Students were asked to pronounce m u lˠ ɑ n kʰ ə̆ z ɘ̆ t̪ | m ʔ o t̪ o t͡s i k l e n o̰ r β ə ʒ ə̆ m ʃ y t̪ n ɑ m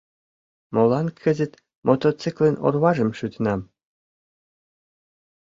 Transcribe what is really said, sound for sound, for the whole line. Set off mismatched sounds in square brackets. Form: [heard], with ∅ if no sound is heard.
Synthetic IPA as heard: m [o] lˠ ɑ n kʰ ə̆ z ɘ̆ t̪ | m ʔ o t̪ o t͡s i k l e n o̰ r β [ɑ] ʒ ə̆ m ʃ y t̪ n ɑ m